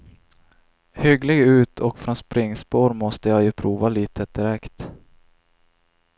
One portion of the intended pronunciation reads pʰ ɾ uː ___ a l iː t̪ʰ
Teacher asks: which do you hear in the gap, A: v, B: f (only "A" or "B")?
A